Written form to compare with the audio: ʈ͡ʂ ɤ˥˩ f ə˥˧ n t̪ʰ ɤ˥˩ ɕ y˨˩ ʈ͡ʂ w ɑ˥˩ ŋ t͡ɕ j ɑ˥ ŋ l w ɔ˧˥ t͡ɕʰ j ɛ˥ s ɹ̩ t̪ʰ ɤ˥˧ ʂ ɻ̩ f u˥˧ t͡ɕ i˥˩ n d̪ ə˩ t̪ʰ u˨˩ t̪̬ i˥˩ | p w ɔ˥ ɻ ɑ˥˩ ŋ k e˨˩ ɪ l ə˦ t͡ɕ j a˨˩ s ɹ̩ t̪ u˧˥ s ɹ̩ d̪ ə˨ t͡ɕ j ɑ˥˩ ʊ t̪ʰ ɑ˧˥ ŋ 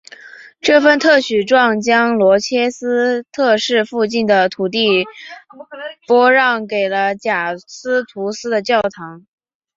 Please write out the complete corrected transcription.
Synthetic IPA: ʈ͡ʂ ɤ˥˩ f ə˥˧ n t̪ʰ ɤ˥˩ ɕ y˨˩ ʈ͡ʂ w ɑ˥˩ ŋ t͡ɕ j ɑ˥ ŋ l w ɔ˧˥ t͡ɕʰ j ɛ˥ s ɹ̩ t̪ʰ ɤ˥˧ ʂ ɻ̩ f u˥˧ t͡ɕ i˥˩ n d̪ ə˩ t̪ʰ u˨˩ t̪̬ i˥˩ | p w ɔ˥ ɻ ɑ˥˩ ŋ k e˨˩ ɪ l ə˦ t͡ɕ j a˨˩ s ɹ̩ t̪ʰ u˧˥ s ɹ̩ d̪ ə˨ t͡ɕ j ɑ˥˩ ʊ t̪ʰ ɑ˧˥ ŋ